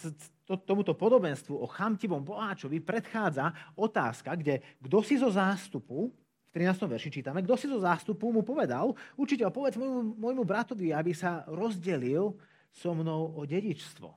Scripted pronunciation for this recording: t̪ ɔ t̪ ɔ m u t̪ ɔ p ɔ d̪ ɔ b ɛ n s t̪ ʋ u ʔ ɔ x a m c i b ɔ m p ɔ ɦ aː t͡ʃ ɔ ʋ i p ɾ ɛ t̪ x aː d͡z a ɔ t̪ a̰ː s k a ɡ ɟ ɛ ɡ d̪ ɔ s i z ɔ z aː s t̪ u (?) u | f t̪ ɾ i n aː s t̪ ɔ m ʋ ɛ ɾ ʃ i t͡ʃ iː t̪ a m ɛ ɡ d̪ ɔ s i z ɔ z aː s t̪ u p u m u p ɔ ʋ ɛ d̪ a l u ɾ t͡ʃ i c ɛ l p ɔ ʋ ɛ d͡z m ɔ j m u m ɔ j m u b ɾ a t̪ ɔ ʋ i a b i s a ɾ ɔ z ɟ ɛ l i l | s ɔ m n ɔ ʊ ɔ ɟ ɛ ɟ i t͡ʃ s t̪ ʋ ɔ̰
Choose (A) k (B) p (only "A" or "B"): B